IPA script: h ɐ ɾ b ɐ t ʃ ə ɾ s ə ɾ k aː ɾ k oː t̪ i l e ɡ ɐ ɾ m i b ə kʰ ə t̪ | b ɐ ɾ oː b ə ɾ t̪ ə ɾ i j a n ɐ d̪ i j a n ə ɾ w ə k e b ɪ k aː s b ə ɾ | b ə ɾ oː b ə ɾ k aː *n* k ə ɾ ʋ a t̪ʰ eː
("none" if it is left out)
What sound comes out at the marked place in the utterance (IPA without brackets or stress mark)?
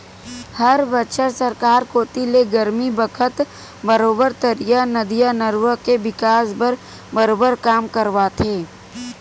m